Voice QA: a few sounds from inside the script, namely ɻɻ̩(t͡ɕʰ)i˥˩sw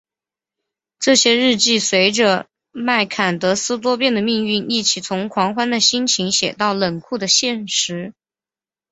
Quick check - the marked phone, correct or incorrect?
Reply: incorrect